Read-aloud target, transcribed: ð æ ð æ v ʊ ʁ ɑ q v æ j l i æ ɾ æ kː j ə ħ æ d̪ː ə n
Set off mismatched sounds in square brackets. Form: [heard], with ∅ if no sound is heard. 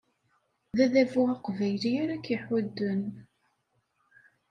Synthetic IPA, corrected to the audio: ð æ ð æ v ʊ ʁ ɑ q v æ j l i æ ɾ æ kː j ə ħ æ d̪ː ə n